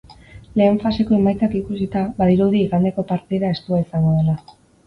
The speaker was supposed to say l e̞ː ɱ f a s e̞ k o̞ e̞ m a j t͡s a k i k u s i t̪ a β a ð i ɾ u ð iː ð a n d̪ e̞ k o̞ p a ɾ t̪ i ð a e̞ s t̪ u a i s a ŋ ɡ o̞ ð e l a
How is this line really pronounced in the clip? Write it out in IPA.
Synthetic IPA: l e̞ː ɱ f a s e̞ k o̞ e̞ m a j t͡s a k i k u s i t̪ a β a ð i ɾ u ð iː ɣ a n d̪ e̞ k o̞ p a ɾ t̪ i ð a e̞ s t̪ u a i s a ŋ ɡ o̞ ð e l a